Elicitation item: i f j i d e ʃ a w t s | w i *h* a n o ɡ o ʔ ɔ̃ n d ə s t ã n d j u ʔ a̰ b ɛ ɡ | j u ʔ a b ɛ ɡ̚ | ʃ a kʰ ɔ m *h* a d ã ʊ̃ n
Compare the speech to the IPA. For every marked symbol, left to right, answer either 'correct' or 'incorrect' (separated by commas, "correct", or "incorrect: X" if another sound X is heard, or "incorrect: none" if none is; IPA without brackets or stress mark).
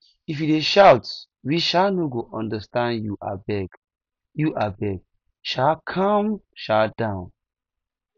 incorrect: ʃ, incorrect: ʃ